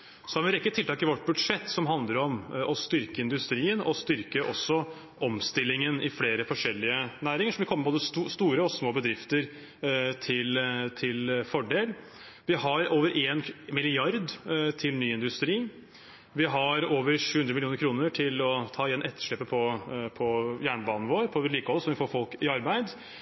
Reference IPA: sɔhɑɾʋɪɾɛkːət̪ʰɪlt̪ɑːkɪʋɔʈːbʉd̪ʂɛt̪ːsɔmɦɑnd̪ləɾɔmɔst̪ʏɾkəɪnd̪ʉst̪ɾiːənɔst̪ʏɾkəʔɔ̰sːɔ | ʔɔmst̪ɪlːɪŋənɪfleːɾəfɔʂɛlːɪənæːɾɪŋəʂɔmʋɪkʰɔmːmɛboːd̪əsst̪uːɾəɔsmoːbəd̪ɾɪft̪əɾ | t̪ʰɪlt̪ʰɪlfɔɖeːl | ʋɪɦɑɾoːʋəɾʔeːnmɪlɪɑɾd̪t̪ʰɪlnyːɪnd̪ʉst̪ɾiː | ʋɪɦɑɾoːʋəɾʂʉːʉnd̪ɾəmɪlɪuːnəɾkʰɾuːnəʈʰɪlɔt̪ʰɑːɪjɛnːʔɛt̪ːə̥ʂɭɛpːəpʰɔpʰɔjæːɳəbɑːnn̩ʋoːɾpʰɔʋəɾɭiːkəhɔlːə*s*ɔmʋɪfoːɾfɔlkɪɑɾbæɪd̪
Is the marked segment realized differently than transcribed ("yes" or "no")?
no